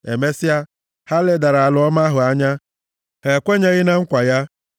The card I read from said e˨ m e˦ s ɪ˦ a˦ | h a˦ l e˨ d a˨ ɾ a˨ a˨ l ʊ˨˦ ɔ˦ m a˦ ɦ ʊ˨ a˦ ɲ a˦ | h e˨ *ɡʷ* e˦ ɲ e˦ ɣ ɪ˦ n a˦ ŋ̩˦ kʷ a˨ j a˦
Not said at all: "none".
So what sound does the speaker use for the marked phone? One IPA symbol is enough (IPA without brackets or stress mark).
kʷ